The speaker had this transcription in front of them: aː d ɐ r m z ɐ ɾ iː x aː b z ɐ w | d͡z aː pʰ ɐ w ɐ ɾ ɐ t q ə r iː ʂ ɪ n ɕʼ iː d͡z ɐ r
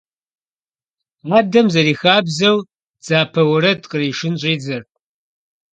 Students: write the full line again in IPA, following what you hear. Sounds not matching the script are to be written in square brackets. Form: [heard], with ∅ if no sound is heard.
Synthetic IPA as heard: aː d ɐ [∅] m z ɐ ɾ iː x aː b z ɐ w | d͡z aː pʰ ɐ w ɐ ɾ ɐ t q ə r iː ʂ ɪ n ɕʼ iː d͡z ɐ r

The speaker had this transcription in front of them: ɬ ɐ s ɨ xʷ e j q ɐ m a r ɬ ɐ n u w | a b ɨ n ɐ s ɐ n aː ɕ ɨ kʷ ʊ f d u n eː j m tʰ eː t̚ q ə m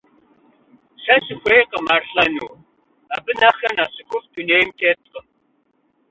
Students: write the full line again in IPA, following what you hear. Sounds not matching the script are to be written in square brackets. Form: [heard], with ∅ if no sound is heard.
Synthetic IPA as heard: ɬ ɐ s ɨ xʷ e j q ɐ m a r ɬ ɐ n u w | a b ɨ n ɐ [x] ɐ n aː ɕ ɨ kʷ ʊ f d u n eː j m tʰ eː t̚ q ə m

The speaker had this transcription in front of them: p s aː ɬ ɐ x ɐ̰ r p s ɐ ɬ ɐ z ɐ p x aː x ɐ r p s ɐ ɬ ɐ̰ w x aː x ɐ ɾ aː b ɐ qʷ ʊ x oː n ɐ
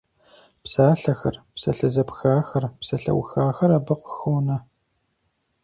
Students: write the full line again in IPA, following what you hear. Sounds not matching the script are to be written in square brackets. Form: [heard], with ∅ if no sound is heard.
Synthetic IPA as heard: p s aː ɬ ɐ x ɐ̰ r p s ɐ ɬ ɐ z ɐ p x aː x ɐ r p s ɐ ɬ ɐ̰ w x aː x ɐ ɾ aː b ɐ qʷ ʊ x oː n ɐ

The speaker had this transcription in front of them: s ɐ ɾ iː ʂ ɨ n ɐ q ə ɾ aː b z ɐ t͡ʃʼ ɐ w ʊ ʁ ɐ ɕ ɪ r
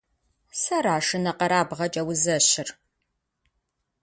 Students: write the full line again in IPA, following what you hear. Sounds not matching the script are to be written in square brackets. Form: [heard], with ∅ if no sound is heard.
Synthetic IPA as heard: s ɐ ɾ [aː] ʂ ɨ n ɐ q [ɐ] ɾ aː b [ʁ] ɐ t͡ʃʼ ɐ w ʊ [z] ɐ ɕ ɪ r

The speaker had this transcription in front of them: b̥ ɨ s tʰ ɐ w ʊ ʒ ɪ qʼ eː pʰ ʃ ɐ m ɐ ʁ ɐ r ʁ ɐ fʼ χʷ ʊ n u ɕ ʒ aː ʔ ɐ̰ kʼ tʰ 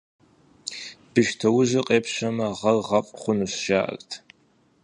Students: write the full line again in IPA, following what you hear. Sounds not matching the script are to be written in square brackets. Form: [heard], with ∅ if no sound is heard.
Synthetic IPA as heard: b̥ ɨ [ʃ] tʰ ɐ w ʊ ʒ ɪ qʼ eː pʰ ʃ ɐ m ɐ ʁ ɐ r ʁ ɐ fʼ χʷ ʊ n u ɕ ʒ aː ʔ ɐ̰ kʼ tʰ

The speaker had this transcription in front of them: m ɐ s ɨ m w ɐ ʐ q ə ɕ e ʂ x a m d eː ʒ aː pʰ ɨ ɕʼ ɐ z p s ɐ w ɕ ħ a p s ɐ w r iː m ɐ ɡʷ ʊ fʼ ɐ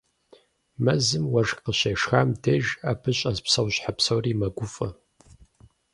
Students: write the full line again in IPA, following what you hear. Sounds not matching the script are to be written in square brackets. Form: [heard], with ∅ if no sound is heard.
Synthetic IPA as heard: m ɐ [z] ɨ m w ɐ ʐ q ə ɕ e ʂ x a m d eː ʒ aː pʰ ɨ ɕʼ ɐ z p s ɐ w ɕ ħ a p s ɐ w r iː m ɐ ɡʷ ʊ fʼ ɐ

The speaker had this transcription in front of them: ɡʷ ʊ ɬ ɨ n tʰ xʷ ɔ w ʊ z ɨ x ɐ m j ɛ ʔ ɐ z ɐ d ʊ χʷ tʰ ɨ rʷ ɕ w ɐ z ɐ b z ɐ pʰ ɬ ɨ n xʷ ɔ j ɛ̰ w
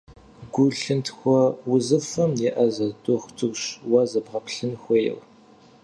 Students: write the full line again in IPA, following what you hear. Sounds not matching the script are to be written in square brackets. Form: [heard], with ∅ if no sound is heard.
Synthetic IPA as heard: ɡʷ ʊ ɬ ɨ n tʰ xʷ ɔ w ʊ z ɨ [f] ɐ m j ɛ ʔ ɐ z ɐ d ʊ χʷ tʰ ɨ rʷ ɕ w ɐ z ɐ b [ʁ] ɐ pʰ ɬ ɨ n xʷ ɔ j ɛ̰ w

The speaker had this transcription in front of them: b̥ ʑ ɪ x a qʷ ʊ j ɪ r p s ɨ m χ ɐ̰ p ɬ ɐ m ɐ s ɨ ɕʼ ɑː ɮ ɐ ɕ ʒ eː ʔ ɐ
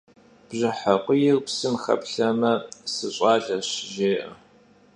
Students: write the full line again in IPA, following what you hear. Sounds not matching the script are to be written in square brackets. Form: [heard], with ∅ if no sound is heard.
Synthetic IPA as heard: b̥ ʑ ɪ [ħ] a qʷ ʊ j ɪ r p s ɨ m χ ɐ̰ p ɬ ɐ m ɐ s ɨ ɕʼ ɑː ɮ ɐ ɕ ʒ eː ʔ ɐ

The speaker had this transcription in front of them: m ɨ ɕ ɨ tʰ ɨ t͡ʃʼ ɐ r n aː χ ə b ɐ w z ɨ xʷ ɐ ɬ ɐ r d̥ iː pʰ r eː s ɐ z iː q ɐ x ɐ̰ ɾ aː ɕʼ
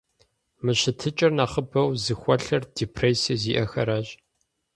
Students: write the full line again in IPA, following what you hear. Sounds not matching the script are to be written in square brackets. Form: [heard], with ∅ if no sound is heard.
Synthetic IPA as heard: m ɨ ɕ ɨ tʰ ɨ t͡ʃʼ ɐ r n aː χ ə b ɐ w z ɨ xʷ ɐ ɬ ɐ r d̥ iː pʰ r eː s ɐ z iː [ʔ] ɐ x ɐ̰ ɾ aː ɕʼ

